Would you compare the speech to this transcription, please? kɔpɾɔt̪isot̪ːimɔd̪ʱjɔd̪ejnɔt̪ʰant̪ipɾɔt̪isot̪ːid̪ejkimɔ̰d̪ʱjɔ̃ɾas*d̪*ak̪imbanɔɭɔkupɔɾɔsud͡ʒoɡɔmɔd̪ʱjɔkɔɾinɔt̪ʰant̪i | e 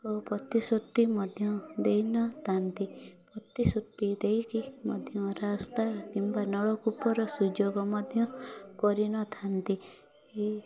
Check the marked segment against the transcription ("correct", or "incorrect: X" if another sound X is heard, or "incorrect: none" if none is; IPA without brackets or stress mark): incorrect: t̪